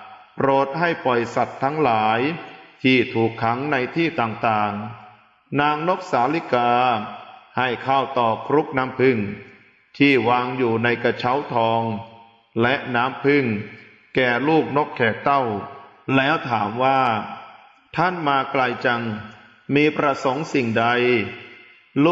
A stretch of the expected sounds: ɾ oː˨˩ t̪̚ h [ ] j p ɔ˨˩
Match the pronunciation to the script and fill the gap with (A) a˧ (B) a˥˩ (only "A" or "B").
B